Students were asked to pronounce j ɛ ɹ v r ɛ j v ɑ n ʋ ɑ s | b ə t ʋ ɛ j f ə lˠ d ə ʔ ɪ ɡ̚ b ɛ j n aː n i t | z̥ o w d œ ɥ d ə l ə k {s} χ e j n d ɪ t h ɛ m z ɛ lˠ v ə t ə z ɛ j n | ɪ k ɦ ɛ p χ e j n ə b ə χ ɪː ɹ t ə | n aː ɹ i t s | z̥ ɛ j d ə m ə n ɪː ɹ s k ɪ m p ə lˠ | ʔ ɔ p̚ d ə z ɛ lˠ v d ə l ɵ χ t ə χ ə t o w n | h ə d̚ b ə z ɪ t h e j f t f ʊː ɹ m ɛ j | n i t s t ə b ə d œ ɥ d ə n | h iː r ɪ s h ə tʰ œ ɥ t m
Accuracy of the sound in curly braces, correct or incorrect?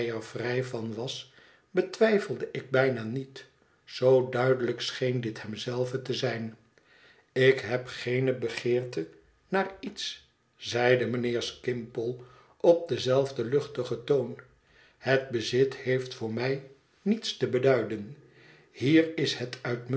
correct